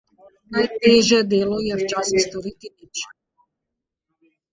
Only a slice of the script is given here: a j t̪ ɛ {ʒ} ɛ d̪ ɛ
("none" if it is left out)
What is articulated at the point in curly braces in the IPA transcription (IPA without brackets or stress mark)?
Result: ʒ